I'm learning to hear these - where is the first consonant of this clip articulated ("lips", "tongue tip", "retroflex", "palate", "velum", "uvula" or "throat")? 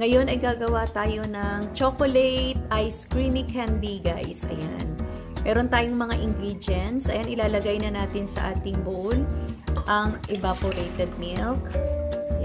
velum